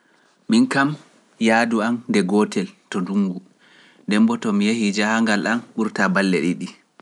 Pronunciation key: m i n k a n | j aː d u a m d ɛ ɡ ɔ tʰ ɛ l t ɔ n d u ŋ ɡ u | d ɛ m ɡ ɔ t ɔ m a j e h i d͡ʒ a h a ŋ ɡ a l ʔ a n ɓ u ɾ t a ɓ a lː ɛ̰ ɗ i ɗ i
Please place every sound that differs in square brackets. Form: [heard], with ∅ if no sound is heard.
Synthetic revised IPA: m i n k a [m] | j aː d u a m d ɛ ɡ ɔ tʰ ɛ l t ɔ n d u ŋ ɡ u | d ɛ m [b] ɔ t ɔ m [i] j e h i d͡ʒ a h a ŋ ɡ a l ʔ a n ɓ u ɾ t a [b] a lː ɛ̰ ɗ i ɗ i